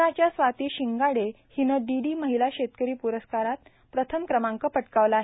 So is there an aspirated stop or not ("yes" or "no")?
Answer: yes